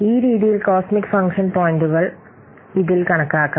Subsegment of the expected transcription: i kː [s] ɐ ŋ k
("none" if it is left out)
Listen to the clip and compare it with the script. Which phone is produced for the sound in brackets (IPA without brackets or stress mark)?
f